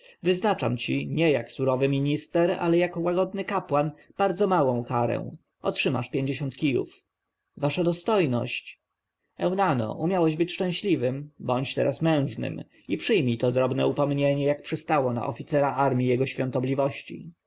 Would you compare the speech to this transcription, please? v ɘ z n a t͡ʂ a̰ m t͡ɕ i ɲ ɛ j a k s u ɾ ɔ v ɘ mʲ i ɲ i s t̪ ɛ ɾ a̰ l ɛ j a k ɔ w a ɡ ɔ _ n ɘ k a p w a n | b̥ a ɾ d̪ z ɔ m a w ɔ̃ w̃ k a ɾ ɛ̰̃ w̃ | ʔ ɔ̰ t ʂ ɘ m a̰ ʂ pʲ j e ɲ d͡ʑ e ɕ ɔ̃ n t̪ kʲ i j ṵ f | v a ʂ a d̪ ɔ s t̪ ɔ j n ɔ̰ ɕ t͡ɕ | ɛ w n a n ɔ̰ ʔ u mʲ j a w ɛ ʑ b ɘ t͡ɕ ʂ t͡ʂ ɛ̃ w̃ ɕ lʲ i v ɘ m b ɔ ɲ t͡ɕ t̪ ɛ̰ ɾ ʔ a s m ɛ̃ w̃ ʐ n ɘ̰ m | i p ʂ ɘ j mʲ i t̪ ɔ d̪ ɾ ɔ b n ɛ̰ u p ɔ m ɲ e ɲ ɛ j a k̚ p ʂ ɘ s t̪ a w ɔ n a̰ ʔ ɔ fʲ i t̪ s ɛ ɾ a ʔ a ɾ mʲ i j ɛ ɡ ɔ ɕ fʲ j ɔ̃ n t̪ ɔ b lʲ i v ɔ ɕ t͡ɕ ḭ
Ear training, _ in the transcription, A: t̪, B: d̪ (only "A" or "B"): B